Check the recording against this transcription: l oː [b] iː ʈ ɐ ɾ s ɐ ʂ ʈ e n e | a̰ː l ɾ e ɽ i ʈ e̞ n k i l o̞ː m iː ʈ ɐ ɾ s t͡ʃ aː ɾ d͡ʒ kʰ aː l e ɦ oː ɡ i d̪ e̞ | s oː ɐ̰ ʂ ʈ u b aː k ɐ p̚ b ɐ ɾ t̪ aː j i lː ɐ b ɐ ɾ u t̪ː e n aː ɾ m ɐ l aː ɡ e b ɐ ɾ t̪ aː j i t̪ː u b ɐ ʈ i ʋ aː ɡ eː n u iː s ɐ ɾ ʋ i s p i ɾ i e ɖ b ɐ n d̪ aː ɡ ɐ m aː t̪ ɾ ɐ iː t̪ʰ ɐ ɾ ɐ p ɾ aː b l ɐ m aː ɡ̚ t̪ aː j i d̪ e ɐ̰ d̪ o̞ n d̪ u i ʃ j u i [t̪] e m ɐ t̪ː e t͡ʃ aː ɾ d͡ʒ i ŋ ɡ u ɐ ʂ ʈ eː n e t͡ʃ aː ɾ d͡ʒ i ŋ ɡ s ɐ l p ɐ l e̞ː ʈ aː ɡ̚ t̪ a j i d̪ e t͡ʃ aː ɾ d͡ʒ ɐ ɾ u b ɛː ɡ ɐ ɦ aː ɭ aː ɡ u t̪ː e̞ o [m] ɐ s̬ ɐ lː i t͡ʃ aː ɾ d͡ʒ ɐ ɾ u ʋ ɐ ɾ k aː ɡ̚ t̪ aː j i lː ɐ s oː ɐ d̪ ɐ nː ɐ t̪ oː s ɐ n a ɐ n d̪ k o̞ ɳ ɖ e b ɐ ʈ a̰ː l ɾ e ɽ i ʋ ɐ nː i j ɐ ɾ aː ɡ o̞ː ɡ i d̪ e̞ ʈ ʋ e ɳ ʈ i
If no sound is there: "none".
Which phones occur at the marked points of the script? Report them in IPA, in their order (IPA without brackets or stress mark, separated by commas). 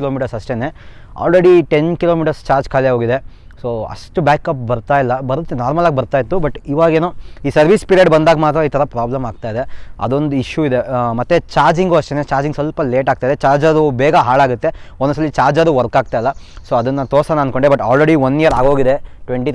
m, d̪, n